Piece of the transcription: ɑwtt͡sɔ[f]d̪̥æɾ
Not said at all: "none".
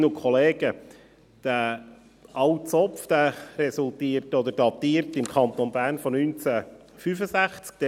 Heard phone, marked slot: f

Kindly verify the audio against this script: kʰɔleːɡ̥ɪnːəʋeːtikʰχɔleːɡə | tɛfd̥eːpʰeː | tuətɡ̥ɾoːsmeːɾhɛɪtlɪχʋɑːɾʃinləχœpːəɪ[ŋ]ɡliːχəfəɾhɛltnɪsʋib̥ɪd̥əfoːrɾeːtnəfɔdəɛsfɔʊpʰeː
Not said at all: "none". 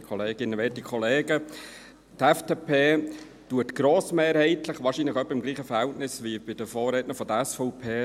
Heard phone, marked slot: m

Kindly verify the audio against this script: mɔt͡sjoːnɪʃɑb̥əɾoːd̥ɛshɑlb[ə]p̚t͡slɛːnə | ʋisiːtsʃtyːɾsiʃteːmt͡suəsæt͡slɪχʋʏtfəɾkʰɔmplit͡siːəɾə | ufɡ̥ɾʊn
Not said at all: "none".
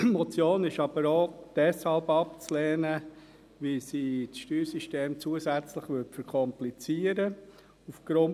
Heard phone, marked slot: ɑ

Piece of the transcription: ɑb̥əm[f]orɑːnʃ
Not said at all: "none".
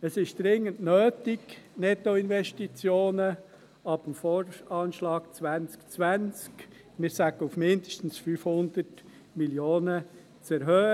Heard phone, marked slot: f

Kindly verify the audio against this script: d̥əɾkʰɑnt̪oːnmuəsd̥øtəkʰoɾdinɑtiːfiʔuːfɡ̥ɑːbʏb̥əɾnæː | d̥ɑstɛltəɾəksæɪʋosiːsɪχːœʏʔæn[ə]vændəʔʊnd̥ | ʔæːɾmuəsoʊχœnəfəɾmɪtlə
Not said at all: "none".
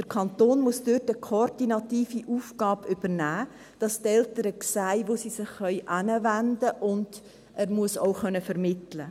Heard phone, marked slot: ə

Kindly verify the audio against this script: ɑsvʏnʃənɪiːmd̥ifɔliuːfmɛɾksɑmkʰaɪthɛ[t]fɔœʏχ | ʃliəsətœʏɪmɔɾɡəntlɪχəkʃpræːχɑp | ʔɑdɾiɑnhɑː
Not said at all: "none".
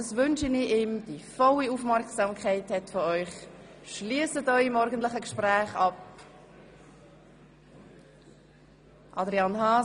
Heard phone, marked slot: t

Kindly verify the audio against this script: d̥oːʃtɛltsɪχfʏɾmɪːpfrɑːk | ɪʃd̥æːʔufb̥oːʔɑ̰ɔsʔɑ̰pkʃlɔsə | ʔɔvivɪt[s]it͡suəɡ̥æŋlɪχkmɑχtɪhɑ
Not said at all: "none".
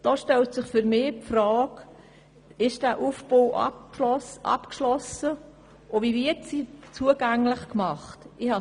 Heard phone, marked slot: s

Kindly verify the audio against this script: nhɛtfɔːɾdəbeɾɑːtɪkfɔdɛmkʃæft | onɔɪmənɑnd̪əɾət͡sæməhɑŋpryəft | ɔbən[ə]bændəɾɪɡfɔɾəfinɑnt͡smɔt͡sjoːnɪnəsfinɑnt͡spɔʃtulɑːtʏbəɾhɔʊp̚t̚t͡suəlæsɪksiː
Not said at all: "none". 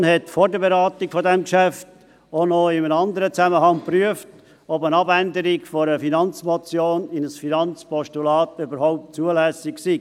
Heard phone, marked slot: ɑ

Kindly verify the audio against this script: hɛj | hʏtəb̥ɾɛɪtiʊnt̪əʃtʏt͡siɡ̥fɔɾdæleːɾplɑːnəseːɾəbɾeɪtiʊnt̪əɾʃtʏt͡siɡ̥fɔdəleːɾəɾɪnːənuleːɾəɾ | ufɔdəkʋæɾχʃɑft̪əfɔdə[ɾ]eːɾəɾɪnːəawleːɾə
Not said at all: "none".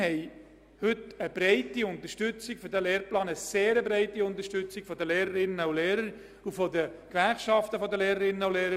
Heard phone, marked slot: l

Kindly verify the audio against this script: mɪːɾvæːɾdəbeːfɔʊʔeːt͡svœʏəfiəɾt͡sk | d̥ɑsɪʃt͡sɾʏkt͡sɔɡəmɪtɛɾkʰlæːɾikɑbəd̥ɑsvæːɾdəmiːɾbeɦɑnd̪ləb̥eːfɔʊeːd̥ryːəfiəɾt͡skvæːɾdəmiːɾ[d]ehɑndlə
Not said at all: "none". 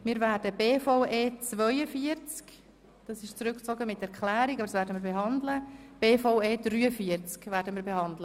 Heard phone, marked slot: b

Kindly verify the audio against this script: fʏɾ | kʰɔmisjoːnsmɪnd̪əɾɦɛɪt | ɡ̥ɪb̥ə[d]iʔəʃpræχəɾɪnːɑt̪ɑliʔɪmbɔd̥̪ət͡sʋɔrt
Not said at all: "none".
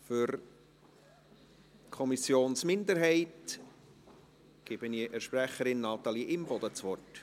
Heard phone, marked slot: n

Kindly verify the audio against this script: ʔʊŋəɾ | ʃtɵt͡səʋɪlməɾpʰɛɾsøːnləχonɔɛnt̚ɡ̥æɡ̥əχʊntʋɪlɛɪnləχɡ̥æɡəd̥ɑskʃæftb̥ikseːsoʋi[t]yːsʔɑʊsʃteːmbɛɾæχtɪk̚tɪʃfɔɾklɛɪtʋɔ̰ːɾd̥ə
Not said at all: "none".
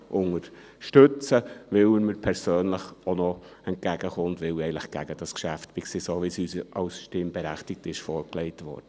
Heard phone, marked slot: s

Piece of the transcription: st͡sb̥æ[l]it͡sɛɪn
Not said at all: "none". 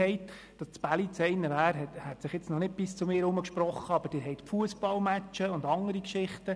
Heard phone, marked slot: l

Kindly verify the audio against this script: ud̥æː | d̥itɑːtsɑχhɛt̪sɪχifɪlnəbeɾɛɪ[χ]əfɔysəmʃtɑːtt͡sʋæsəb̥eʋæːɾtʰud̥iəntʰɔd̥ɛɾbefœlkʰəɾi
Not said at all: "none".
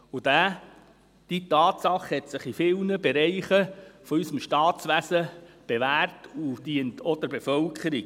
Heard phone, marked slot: χ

